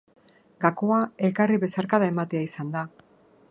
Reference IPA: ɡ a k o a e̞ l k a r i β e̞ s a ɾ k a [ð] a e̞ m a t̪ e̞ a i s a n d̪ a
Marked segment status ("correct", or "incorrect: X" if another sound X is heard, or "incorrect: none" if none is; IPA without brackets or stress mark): correct